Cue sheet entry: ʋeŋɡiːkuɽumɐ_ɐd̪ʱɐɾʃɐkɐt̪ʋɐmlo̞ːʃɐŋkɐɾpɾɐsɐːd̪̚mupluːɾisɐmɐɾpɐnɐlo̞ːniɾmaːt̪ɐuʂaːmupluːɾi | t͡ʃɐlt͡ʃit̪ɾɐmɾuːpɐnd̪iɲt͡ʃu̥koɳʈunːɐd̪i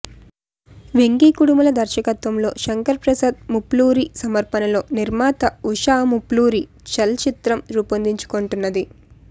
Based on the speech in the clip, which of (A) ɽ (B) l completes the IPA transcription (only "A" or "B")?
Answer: B